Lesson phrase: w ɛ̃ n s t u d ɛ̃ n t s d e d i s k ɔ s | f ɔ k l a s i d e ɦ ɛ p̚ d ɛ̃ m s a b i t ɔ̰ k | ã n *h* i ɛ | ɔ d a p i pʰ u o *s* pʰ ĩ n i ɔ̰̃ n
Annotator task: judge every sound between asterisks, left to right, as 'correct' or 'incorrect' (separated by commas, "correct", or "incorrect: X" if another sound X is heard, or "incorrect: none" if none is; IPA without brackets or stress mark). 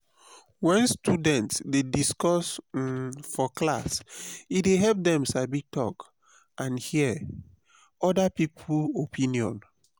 correct, incorrect: none